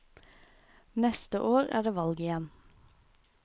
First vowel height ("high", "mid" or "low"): mid